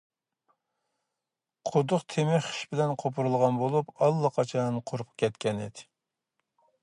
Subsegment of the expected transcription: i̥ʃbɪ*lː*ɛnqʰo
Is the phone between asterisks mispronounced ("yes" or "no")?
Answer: yes